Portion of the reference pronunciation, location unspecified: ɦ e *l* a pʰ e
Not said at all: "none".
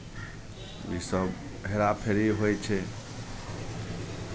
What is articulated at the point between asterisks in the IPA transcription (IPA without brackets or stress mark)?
ɾ